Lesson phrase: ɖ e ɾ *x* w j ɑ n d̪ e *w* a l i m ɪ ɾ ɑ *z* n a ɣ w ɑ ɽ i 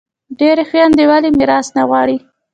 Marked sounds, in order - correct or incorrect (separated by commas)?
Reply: correct, correct, incorrect